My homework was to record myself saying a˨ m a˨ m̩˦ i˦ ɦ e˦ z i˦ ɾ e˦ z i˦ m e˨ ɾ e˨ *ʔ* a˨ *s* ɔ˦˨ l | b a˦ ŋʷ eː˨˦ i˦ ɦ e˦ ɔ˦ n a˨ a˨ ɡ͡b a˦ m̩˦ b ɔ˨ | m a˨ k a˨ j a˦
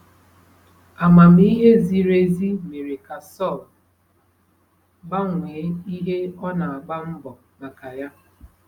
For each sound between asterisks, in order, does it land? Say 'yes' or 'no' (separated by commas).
no, yes